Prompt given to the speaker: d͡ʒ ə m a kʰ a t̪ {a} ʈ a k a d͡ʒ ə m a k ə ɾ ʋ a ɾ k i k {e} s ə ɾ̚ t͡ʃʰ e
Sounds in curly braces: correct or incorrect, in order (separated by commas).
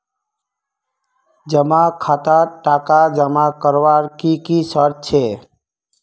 correct, incorrect